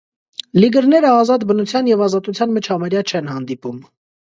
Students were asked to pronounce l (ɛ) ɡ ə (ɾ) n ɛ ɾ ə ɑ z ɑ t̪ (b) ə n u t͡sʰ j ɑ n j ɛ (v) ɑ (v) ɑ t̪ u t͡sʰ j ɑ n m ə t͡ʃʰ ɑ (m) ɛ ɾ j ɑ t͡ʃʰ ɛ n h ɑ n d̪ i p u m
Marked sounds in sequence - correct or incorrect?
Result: incorrect: i, correct, correct, correct, incorrect: z, correct

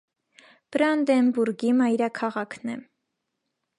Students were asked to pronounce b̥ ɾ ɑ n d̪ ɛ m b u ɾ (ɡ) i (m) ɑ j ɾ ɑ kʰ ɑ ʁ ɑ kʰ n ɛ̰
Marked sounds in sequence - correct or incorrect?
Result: correct, correct

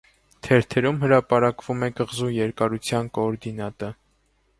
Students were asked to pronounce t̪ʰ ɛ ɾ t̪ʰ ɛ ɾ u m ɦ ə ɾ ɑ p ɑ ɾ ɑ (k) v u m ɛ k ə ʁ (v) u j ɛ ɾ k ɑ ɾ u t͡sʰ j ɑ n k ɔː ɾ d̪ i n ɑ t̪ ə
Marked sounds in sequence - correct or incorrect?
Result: correct, incorrect: z

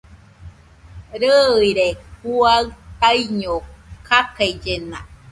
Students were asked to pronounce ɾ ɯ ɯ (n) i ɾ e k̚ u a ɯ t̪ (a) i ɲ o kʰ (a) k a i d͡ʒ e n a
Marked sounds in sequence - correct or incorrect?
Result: incorrect: none, correct, correct

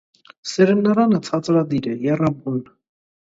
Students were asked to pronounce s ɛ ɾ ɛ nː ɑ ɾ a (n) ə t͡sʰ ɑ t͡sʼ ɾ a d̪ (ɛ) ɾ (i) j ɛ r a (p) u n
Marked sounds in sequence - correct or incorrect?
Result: correct, incorrect: i, incorrect: ɛ, incorrect: b

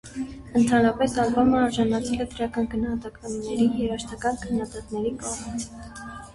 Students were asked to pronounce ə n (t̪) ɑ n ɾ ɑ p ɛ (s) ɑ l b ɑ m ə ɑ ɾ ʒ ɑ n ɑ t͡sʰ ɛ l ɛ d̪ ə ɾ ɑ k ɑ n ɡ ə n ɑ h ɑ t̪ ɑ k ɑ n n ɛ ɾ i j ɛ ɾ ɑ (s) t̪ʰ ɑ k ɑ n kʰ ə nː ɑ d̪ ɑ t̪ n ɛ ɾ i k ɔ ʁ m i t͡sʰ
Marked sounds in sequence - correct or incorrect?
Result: incorrect: t̪ʰ, correct, incorrect: ʃ

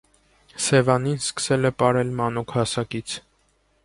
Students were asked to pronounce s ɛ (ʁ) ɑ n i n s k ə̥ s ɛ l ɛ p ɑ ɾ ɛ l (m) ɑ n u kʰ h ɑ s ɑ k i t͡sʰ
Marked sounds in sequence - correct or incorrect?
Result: incorrect: v, correct

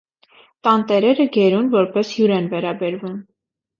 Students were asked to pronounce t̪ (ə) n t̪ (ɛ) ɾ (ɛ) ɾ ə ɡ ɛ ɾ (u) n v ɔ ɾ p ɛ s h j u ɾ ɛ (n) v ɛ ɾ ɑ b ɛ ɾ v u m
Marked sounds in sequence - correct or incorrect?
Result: incorrect: ɑ, correct, correct, correct, correct

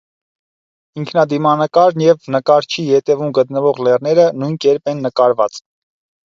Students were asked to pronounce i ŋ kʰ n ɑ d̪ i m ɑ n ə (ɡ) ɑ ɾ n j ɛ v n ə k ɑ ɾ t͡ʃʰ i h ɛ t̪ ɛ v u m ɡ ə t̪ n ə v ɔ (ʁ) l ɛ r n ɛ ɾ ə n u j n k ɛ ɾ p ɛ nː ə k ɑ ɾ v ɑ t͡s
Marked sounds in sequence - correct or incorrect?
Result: incorrect: k, correct

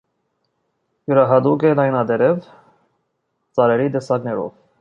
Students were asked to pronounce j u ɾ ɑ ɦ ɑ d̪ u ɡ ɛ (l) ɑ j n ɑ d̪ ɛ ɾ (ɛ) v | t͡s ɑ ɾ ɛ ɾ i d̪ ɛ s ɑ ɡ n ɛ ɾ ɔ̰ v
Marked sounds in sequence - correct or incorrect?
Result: correct, correct

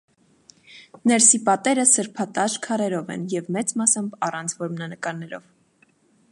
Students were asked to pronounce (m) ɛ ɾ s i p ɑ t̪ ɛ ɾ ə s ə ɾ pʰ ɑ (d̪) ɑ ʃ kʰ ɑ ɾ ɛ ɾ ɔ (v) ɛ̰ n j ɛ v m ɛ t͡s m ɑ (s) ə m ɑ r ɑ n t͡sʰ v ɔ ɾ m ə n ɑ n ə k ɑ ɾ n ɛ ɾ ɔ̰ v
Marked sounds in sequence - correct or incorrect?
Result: incorrect: n, incorrect: t̪, correct, correct

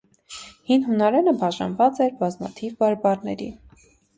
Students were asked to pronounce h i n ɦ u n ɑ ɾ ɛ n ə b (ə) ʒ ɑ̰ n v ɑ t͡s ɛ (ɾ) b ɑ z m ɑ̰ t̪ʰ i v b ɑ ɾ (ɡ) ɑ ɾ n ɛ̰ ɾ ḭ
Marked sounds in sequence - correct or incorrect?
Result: incorrect: ɑ, correct, incorrect: b

